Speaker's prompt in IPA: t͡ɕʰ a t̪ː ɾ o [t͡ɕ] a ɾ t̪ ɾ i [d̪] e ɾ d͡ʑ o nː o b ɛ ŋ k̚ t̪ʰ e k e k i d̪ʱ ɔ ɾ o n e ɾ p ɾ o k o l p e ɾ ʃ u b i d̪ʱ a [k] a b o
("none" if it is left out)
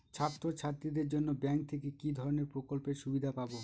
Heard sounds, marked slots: t͡ɕʰ, d̪, p

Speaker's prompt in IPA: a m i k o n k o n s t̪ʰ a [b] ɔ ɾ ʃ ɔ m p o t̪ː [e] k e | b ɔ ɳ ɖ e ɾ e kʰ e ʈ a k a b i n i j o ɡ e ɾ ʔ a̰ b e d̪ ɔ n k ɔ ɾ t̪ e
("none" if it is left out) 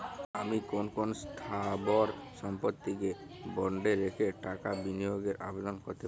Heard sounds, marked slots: b, i

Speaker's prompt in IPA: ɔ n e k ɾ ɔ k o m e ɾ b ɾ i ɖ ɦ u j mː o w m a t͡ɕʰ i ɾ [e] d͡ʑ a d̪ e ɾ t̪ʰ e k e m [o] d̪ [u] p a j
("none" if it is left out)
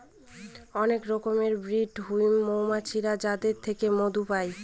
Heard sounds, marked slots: a, o, u

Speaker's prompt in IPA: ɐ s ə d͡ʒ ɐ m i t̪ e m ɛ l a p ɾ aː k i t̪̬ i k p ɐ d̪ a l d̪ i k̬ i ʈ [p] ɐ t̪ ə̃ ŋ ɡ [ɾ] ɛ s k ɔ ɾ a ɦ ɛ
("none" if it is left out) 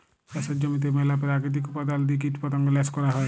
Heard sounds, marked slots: p, l

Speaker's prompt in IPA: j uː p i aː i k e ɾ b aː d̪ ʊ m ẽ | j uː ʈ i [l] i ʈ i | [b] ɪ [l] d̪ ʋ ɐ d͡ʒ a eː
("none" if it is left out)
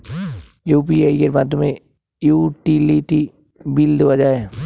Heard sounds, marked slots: l, b, l

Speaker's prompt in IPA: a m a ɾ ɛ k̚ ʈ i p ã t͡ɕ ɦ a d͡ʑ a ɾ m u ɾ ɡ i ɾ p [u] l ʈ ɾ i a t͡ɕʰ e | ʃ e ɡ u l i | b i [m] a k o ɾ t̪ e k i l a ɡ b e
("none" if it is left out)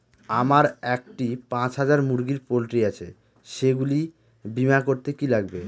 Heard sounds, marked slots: o, m

